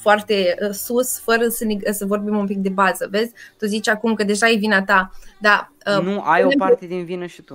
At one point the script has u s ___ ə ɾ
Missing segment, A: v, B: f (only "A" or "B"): B